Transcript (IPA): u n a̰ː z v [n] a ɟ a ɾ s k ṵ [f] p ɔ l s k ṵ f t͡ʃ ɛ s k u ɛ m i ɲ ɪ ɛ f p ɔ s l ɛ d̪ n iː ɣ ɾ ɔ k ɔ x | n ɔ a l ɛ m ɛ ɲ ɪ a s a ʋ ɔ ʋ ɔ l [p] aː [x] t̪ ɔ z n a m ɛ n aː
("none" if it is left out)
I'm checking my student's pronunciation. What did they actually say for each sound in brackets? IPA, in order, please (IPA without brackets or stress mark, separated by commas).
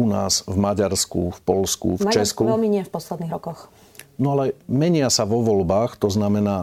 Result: m, f, b, x